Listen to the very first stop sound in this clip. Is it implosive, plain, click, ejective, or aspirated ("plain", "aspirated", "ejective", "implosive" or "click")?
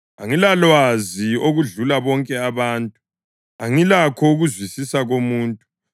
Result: ejective